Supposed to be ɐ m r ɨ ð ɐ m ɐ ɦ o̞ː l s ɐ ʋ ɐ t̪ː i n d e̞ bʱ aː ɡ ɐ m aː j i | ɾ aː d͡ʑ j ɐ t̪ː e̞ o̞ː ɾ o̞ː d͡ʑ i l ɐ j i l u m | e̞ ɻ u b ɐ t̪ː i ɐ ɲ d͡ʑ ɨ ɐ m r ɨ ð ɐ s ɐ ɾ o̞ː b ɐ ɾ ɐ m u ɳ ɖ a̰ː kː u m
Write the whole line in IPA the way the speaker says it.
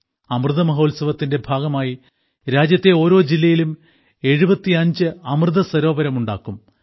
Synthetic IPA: ɐ m r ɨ ð ɐ m ɐ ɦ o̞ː l s ɐ ʋ ɐ t̪ː i n d e̞ bʱ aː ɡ ɐ m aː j i | ɾ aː d͡ʑ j ɐ t̪ː e̞ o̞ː ɾ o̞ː d͡ʑ i lː ɐ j i l u m | e̞ ɻ u b ɐ t̪ː i ɐ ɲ d͡ʑ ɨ ɐ m r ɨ ð ɐ s ɐ ɾ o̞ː b ɐ ɾ ɐ m u ɳ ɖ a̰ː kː u m